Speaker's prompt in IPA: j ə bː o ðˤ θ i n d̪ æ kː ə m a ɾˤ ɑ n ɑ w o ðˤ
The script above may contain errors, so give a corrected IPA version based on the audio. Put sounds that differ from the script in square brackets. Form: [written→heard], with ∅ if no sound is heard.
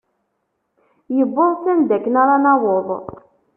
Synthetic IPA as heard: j ə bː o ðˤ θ [i→æ] n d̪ æ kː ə [m→n] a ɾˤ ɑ n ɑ w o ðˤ